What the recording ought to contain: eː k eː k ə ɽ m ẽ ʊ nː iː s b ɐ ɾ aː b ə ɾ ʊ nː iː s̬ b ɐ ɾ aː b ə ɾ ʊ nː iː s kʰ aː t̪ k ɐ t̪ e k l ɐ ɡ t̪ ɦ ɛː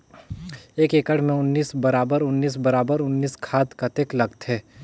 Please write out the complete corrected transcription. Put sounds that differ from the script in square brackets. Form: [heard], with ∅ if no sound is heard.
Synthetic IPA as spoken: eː k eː k ə ɽ m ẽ ʊ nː iː s b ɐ ɾ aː b ə ɾ ʊ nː iː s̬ b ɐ ɾ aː b ə ɾ ʊ nː iː s kʰ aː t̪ k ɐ t̪ e k l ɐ ɡ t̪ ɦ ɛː